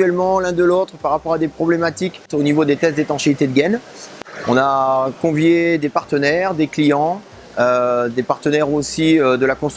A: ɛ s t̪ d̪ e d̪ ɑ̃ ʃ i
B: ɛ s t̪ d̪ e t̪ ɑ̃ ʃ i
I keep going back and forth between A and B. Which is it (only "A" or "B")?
B